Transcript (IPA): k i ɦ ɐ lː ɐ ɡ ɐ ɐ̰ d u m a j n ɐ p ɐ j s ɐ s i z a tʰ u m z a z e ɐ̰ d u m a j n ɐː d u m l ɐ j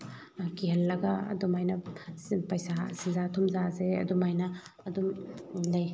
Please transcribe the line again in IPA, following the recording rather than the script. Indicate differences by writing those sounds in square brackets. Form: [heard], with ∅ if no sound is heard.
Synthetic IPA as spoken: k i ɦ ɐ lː ɐ ɡ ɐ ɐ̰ d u m a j n ɐ p ɐ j s [a] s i z a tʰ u m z a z e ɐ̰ d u m a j n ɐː d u m l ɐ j